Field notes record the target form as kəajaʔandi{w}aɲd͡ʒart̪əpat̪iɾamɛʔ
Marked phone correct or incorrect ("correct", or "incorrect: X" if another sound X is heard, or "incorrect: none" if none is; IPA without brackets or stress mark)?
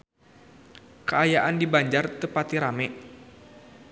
incorrect: b